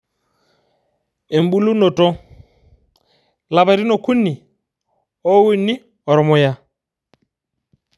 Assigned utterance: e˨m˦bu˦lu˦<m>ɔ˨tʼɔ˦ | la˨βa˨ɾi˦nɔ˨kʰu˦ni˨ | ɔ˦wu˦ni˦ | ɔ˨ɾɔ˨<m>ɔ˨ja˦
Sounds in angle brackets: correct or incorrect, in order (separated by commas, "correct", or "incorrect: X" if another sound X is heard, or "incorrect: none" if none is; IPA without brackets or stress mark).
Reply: incorrect: n, correct